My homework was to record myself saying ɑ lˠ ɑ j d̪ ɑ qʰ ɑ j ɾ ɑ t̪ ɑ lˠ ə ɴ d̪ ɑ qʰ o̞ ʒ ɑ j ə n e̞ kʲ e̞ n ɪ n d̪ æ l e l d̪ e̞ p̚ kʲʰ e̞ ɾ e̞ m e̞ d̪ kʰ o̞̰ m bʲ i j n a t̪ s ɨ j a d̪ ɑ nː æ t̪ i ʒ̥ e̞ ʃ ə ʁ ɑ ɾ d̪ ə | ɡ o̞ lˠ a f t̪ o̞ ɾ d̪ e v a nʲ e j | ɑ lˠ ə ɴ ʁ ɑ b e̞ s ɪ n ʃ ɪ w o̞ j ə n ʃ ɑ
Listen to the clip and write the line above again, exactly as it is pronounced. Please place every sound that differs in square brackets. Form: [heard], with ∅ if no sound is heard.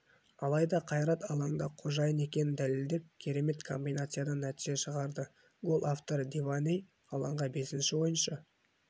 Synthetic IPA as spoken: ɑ lˠ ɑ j d̪ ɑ qʰ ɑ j ɾ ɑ t̪ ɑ lˠ [ɑ] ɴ d̪ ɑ qʰ o̞ ʒ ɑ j ə n e̞ kʲ e̞ n ɪ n d̪ æ l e l d̪ e̞ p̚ kʲʰ e̞ ɾ e̞ m e̞ [t̪] kʰ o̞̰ m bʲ i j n a t̪ s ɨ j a d̪ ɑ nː æ t̪ i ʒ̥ e̞ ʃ ə ʁ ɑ ɾ d̪ ə | ɡ o̞ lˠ a f t̪ o̞ ɾ d̪ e v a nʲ e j | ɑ lˠ [ɑ] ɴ ʁ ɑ b e̞ s ɪ n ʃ ɪ w o̞ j ə n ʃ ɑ